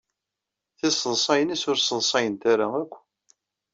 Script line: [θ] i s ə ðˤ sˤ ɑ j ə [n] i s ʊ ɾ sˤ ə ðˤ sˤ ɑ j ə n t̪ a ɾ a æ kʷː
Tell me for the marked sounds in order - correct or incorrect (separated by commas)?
correct, correct